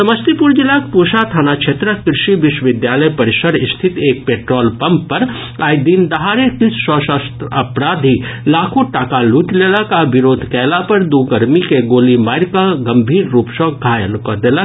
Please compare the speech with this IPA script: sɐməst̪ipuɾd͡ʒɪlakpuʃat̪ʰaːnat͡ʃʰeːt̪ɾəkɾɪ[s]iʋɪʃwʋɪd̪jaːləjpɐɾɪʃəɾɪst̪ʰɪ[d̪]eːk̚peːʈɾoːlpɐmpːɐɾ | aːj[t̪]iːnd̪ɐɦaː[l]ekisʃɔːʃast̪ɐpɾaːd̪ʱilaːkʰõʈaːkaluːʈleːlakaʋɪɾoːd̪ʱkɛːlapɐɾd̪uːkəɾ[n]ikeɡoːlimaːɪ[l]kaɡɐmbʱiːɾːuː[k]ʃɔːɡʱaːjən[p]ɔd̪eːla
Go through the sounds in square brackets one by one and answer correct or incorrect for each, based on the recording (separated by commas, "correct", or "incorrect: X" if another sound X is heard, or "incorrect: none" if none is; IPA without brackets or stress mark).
incorrect: ʃ, incorrect: t̪, incorrect: d̪, incorrect: ɾ, incorrect: m, incorrect: ɾ, incorrect: p, incorrect: k